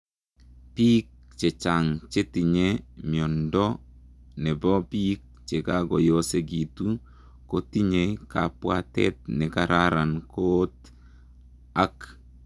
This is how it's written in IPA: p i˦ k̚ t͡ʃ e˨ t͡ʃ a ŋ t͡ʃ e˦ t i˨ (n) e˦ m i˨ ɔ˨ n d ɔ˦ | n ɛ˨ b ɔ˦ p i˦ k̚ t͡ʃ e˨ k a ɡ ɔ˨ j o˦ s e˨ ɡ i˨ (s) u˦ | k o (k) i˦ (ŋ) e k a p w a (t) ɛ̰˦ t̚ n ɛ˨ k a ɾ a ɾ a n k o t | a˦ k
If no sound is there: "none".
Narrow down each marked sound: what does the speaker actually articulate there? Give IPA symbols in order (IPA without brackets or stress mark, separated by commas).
ɲ, t, t, ɲ, t